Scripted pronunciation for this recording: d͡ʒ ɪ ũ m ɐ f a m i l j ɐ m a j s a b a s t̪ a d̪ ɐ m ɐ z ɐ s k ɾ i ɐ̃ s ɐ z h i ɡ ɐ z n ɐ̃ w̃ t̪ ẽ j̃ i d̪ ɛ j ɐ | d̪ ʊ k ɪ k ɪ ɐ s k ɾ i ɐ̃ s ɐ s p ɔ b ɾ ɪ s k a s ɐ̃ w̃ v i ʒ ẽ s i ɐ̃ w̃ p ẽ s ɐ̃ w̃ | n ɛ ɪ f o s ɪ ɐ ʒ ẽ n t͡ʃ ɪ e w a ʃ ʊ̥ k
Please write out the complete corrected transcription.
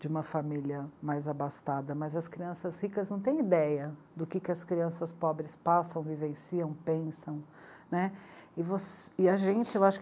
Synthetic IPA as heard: d͡ʒ ɪ ũ m ɐ f a m i l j ɐ m a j z a b a s t̪ a d̪ ɐ m ɐ z ɐ s k ɾ i ɐ̃ s ɐ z h i k ɐ z n ɐ̃ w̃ t̪ ẽ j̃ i d̪ ɛ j ɐ | d̪ ʊ k ɪ k ɪ ɐ s k ɾ i ɐ̃ s ɐ s p ɔ b ɾ ɪ s p a s ɐ̃ w̃ v i v ẽ s i ɐ̃ w̃ p ẽ s ɐ̃ w̃ | n ɛ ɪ v o s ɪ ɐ ʒ ẽ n t͡ʃ ɪ e w a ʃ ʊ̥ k